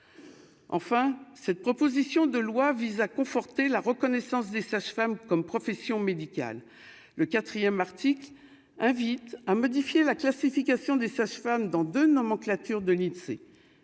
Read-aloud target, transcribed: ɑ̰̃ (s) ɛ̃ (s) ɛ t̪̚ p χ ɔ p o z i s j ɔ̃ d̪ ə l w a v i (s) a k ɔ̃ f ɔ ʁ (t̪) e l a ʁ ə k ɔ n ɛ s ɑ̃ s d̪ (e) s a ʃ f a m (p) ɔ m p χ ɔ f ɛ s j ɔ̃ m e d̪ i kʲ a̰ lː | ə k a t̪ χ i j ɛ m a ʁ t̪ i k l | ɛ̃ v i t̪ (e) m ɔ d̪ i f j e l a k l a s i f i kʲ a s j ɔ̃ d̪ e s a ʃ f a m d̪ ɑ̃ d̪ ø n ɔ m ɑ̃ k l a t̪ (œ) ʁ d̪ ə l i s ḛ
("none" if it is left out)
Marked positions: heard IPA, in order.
f, s, z, t̪, e, k, a, y

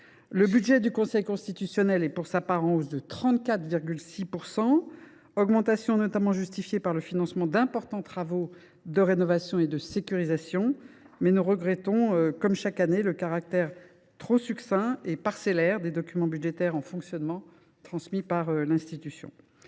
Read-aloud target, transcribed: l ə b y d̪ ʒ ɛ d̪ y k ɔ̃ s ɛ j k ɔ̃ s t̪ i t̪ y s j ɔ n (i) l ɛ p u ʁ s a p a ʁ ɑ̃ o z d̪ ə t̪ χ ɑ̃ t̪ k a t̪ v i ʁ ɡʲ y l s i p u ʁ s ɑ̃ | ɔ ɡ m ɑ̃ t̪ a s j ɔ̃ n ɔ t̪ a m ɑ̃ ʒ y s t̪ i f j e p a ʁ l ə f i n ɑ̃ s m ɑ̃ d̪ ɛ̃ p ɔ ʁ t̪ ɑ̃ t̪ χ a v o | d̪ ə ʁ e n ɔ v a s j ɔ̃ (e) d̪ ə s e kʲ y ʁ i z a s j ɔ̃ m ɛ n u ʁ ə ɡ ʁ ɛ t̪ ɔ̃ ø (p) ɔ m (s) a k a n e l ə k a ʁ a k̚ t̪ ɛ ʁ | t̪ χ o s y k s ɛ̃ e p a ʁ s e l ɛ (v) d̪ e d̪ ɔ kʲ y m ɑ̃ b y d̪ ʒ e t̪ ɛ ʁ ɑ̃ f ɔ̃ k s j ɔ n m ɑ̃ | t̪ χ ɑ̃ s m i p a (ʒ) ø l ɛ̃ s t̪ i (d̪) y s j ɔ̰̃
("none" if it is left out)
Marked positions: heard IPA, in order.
ɛ, e, k, ʃ, ʁ, ʁ, t̪

